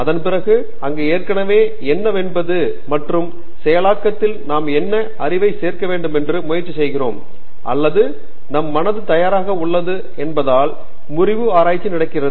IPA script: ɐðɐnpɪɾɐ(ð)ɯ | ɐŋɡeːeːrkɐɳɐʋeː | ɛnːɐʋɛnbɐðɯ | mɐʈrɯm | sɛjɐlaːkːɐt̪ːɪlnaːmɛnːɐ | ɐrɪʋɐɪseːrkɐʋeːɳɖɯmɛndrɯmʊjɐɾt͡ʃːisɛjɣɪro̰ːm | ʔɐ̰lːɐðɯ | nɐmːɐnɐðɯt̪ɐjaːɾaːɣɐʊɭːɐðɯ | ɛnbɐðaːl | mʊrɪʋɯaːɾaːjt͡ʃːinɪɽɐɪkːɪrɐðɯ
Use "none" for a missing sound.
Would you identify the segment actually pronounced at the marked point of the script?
ɣ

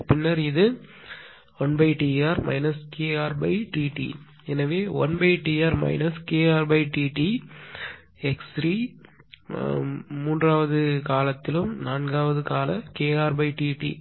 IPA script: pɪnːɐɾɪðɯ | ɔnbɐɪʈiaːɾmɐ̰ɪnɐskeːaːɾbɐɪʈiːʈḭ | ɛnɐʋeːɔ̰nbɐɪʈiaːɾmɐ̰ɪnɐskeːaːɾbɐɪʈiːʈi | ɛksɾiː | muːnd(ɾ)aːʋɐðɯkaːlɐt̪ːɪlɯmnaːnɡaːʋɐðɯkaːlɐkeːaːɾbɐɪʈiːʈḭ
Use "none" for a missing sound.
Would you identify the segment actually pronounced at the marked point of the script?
r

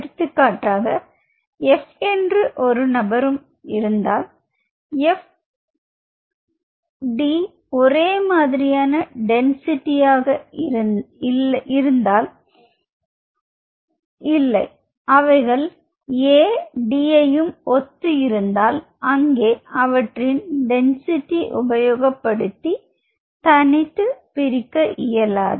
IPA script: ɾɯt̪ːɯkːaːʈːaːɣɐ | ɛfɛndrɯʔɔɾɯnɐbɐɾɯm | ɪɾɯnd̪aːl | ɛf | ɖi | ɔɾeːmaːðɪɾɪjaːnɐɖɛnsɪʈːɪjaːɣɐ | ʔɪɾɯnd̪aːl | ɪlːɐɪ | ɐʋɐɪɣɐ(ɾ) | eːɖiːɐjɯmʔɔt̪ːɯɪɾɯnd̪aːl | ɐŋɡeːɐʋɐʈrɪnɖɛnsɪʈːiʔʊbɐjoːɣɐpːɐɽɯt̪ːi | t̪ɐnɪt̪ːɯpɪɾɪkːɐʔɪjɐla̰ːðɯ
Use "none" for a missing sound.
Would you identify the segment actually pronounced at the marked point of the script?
ɭ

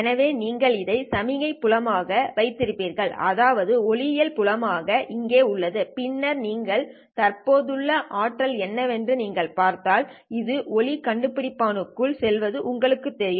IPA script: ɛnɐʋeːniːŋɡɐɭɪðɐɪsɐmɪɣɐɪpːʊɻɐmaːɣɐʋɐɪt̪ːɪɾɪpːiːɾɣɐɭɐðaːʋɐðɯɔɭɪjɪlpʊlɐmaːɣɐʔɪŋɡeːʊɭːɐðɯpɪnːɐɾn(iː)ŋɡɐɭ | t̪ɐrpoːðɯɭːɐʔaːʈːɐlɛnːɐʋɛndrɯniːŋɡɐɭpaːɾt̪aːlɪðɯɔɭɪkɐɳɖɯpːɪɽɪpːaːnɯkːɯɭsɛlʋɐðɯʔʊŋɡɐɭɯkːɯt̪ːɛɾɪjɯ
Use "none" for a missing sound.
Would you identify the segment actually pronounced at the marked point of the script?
iː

